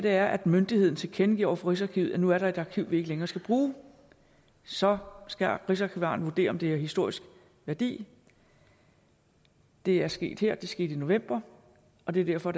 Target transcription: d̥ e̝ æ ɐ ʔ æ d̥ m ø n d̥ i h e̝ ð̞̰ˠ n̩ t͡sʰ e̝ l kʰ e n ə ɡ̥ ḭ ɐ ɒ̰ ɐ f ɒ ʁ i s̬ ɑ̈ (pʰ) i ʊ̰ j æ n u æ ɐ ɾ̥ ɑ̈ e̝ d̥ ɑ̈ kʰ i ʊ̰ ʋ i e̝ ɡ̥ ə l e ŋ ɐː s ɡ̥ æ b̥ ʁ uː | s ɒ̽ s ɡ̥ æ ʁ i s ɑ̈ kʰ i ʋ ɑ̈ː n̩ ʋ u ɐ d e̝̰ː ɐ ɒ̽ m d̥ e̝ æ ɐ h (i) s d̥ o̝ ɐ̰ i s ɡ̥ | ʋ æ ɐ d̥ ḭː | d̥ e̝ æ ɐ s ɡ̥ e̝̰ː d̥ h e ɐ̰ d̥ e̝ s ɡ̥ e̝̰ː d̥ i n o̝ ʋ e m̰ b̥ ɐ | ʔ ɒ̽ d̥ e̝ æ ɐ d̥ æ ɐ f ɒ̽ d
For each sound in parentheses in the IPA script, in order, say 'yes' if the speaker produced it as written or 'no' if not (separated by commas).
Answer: no, yes